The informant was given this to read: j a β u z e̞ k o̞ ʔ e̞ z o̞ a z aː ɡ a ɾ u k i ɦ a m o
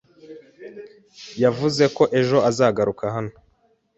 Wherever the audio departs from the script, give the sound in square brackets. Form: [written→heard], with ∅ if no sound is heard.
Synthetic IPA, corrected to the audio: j a [β→v] u z e̞ k o̞ ʔ e̞ [z→ʒ] o̞ a z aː ɡ a ɾ u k [i→a] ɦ a [m→n] o